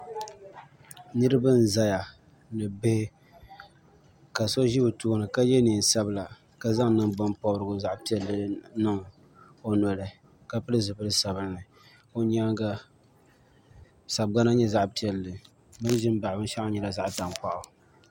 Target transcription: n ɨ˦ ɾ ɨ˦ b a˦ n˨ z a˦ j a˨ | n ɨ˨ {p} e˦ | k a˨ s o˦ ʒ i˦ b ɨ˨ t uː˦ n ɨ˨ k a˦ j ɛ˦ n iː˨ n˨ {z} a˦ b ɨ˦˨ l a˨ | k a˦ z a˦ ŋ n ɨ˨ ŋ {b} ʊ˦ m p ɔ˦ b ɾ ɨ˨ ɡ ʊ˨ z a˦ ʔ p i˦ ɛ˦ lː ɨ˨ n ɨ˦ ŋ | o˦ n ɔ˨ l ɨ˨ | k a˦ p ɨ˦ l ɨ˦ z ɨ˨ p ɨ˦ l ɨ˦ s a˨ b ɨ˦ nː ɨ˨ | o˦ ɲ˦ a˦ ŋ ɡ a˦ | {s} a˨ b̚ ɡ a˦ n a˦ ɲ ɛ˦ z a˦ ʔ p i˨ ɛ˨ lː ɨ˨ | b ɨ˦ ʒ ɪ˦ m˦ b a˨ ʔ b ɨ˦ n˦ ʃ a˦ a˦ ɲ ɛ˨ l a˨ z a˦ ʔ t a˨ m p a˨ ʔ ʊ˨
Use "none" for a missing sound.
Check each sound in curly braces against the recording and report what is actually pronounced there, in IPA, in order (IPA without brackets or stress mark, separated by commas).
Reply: b, s, b, s